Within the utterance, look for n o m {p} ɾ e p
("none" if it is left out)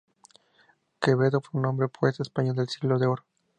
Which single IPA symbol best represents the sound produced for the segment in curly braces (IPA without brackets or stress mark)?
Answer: b